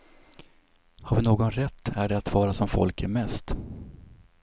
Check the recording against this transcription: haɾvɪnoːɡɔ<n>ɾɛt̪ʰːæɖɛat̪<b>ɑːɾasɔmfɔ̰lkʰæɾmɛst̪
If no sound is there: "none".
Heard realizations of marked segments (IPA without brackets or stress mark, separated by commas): n, v